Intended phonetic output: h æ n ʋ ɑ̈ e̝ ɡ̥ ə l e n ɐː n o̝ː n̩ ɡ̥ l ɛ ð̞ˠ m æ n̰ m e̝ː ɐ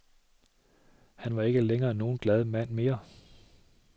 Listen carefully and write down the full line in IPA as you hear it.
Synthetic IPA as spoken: h æ n ʋ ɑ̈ e̝ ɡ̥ ə l e ŋ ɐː n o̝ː n̩ ɡ̥ l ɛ ð̞ˠ m æ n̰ m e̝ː ɐ